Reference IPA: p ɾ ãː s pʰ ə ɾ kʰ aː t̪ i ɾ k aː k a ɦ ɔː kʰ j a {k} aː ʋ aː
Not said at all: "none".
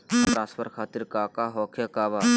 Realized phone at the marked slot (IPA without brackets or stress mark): k